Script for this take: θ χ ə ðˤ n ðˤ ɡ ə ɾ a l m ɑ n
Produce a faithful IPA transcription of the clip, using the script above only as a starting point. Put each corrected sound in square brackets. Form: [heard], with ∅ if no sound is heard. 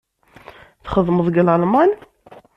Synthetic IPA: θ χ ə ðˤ [m] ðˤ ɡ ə [l] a l m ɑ n